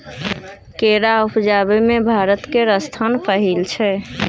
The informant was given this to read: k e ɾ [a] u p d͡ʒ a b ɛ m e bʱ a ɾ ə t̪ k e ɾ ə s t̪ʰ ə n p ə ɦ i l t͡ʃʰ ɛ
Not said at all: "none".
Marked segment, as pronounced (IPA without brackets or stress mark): a